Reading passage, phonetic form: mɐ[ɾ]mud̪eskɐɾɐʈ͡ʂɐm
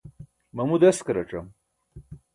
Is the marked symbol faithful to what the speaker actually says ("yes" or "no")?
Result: no